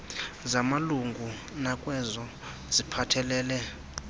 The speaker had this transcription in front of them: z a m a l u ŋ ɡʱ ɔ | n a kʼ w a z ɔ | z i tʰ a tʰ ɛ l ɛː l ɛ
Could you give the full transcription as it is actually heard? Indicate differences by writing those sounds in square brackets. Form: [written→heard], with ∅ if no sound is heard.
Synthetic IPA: z a m a l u ŋ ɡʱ [ɔ→u] | n a kʼ w [a→ɛ] z ɔ | z i [tʰ→pʰ] a tʰ ɛ l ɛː l ɛ